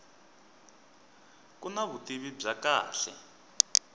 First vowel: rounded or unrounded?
rounded